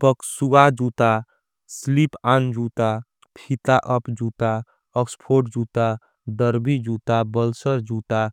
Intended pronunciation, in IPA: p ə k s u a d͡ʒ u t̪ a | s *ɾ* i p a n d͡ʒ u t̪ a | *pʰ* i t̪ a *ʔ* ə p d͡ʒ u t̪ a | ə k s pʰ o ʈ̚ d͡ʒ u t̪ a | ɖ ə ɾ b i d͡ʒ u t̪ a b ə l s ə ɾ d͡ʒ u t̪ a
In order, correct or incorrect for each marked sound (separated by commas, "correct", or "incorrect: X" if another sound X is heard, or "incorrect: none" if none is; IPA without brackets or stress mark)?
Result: incorrect: l, correct, correct